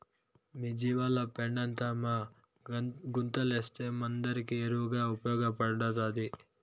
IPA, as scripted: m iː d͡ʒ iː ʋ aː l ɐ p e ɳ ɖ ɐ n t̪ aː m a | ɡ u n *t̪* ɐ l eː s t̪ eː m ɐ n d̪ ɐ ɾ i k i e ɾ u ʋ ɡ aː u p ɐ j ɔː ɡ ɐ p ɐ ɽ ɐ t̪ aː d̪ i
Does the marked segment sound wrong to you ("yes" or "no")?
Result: no